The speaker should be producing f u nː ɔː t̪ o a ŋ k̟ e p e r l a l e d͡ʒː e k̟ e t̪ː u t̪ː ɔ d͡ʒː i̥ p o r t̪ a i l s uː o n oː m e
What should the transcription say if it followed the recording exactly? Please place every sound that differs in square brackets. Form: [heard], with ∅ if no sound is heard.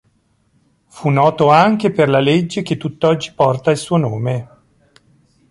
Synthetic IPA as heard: f u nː ɔː t̪ o a ŋ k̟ e p e r l a l e d͡ʒː e k̟ e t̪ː u t̪ː ɔ d͡ʒː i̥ p [ɔ] r t̪ a i l s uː o n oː m e

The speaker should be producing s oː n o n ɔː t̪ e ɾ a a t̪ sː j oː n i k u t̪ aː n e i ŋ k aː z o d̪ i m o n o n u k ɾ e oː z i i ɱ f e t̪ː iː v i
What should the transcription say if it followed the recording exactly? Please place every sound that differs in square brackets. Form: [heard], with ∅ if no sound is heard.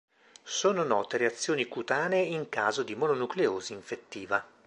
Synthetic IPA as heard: s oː n o n ɔː t̪ e ɾ [e] a t̪ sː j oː n i k u t̪ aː n e i ŋ k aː z o d̪ i m o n o n u k [l] e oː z i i ɱ f e t̪ː iː v [a]

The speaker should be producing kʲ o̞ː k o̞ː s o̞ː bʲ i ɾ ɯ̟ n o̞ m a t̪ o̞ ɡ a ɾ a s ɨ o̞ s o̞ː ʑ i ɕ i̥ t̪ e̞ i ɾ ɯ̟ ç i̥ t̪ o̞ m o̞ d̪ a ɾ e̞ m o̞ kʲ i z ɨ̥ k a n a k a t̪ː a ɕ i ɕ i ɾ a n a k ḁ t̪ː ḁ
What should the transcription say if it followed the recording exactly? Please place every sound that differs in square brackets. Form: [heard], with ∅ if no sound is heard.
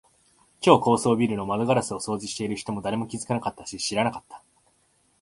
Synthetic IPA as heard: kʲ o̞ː k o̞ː s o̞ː bʲ i ɾ ɯ̟ n o̞ m a [d̪] o̞ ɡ a ɾ a s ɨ o̞ s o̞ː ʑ i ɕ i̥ t̪ e̞ i ɾ ɯ̟ ç i̥ t̪ o̞ m o̞ d̪ a ɾ e̞ m o̞ kʲ i z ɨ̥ k a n a k a t̪ː a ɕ i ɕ i ɾ a n a k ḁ t̪ː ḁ

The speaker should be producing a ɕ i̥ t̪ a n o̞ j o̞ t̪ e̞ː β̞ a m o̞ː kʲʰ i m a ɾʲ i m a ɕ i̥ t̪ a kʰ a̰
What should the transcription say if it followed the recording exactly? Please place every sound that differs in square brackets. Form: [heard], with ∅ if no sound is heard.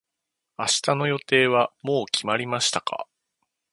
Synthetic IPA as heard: a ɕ i̥ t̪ a n o̞ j o̞ t̪ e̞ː β̞ a m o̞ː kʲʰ i m a ɾʲ i m a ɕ i̥ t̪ a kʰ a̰

